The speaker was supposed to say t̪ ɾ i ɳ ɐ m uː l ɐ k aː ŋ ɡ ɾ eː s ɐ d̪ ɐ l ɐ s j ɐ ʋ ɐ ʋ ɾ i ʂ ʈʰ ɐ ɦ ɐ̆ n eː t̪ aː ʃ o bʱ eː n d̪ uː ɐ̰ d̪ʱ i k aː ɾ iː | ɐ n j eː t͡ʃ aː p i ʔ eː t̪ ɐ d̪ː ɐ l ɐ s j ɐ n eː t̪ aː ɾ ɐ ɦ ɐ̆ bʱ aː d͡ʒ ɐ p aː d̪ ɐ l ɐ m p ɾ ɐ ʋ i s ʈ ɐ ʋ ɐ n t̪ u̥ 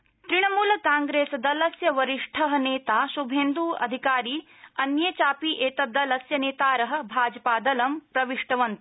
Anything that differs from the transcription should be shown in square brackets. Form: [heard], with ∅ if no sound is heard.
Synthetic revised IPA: t̪ ɾ i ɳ ɐ m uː l ɐ k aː ŋ ɡ ɾ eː s ɐ d̪ ɐ l ɐ s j ɐ ʋ ɐ [∅] ɾ i ʂ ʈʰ ɐ ɦ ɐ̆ n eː t̪ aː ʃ [u] bʱ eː n d̪ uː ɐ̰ d̪ʱ i k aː ɾ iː | ɐ n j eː t͡ʃ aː p i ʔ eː t̪ ɐ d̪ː ɐ l ɐ s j ɐ n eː t̪ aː ɾ ɐ ɦ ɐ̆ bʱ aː d͡ʒ ɐ p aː d̪ ɐ l ɐ m p ɾ ɐ ʋ i [ʂ] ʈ ɐ ʋ ɐ n t̪ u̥